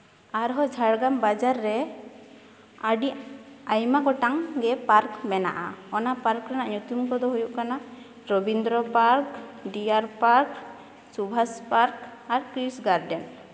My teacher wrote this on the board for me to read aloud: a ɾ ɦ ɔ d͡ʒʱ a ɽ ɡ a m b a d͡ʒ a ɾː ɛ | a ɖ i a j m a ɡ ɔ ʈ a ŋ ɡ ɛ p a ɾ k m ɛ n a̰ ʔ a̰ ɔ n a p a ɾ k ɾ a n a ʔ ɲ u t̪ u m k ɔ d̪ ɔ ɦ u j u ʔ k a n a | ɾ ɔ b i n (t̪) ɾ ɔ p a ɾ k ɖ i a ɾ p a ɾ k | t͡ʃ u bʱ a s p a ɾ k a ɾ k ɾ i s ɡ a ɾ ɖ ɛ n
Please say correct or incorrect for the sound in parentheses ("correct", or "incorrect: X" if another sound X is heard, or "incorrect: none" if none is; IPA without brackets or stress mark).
incorrect: d̪